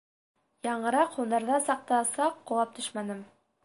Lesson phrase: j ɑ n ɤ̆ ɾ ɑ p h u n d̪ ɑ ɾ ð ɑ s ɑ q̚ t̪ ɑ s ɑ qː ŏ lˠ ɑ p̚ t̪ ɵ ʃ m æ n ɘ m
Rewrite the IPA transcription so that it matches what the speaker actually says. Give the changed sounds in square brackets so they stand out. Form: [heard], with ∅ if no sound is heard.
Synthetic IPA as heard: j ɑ [ɴ] ɤ̆ ɾ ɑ [q] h u n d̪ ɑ ɾ ð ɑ s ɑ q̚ t̪ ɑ s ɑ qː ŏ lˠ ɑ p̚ t̪ ɵ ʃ m æ n ɘ m